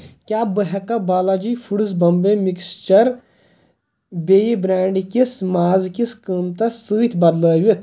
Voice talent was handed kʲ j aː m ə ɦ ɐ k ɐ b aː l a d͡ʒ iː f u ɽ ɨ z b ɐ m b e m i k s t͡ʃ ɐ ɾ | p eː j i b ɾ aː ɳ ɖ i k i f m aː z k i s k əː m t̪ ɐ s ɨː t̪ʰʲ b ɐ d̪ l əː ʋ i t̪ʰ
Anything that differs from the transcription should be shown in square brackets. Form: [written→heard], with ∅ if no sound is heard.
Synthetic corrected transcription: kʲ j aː [m→b] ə ɦ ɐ k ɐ b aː l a d͡ʒ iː f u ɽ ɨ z b ɐ m b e m i k s t͡ʃ ɐ ɾ | [p→b] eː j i b ɾ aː ɳ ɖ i k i [f→s] m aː z k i s k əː m t̪ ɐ s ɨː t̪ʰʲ b ɐ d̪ l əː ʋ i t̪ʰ